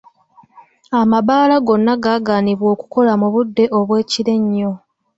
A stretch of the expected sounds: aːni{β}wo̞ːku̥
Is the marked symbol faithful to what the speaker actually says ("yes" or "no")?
yes